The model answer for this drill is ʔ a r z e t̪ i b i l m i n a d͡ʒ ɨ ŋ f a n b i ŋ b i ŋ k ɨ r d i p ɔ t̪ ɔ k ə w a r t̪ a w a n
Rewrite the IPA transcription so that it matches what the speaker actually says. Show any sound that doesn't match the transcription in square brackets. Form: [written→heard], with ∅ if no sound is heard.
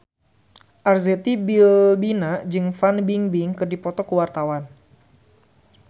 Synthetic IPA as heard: ʔ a r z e t̪ i b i l [m→b] i n a d͡ʒ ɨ ŋ f a n b i ŋ b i ŋ k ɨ r d i p ɔ t̪ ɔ k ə w a r t̪ a w a n